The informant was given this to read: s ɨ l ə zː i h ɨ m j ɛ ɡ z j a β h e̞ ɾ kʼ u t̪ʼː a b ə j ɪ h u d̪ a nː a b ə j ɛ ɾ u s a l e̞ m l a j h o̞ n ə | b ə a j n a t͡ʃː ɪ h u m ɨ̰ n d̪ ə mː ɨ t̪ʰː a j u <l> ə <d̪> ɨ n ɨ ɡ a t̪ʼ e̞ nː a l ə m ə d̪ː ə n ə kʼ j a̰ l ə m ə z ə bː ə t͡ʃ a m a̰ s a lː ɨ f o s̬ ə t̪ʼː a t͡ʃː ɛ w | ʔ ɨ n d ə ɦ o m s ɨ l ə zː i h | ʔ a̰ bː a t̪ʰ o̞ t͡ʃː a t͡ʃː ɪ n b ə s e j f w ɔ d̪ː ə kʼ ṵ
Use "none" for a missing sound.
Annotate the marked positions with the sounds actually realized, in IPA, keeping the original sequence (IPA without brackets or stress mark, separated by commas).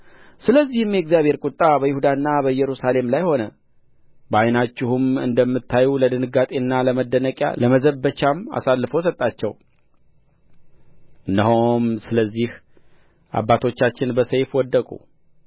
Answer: l, d̪